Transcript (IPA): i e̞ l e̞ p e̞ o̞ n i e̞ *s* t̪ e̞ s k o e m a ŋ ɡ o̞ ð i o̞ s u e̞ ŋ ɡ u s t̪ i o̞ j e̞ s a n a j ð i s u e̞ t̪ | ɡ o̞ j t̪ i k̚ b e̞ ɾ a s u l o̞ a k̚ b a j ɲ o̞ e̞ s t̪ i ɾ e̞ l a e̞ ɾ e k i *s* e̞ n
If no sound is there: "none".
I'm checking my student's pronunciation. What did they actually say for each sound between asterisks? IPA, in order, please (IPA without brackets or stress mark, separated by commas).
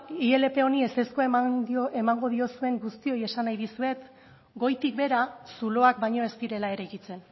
s, t͡s